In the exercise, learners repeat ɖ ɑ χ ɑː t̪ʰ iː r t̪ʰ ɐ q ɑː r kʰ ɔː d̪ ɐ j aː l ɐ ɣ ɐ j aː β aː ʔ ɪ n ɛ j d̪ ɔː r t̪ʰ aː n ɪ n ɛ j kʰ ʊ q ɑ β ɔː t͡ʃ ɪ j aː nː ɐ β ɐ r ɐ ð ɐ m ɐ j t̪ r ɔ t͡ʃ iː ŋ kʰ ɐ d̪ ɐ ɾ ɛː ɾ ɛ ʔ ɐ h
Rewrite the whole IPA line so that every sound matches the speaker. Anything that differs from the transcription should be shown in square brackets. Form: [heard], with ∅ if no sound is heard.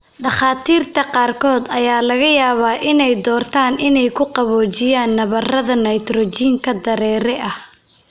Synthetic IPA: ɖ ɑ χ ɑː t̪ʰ iː r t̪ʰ ɐ q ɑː r kʰ ɔː d̪ ɐ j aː l ɐ ɣ ɐ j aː β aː ʔ ɪ n ɛ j d̪ ɔː r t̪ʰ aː n ɪ n ɛ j kʰ ʊ q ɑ β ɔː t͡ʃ ɪ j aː nː ɐ β ɐ r ɐ ð ɐ [n] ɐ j t̪ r ɔ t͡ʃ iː ŋ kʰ ɐ d̪ ɐ ɾ ɛː ɾ ɛ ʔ ɐ h

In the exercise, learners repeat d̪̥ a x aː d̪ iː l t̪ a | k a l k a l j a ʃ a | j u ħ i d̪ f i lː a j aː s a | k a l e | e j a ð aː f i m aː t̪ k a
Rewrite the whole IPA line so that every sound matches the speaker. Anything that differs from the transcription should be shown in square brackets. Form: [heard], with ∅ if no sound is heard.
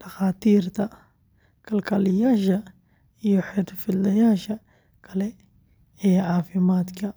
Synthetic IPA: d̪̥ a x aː [t̪] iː [ɾ] t̪ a | k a l k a l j a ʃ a | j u ħ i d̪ f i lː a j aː [ʃ] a | k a l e | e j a [ʕ] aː f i m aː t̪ k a

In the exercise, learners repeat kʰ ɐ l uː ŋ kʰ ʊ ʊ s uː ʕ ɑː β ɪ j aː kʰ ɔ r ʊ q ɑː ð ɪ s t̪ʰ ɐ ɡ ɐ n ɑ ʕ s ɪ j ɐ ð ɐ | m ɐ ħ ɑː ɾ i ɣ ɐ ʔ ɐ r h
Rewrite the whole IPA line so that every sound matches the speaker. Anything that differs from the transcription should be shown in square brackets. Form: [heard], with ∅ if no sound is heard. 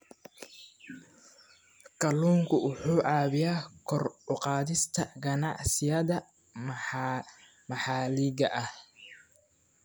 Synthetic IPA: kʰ ɐ l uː ŋ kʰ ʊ ʊ [ħ] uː ʕ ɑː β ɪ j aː kʰ ɔ r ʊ q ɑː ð ɪ s t̪ʰ ɐ ɡ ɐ n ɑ ʕ s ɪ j ɐ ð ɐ | m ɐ ħ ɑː [l] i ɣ ɐ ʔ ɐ [∅] h

